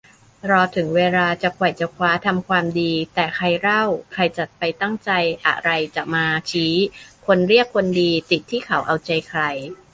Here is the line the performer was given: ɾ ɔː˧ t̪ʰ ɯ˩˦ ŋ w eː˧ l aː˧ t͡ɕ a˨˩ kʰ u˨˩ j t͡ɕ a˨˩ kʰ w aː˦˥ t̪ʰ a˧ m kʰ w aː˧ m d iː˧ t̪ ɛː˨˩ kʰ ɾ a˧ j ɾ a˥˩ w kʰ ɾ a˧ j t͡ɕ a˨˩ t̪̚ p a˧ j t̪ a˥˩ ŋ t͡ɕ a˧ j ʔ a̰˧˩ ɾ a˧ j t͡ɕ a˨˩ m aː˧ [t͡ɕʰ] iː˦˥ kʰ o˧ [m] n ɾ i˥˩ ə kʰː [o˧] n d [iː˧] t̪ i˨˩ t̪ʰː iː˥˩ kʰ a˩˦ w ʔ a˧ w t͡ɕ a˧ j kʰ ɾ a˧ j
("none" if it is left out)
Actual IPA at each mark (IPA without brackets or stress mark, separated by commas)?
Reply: t͡ɕʰ, none, o˧, iː˧